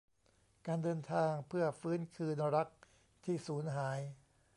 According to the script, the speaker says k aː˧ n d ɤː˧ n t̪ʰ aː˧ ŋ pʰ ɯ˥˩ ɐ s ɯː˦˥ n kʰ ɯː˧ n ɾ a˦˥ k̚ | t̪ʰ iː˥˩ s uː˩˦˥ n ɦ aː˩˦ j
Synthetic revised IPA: k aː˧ n d ɤː˧ n t̪ʰ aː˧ ŋ pʰ ɯ˥˩ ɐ f ɯː˦˥ n kʰ ɯː˧ n ɾ a˦˥ k̚ | t̪ʰ iː˥˩ s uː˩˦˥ n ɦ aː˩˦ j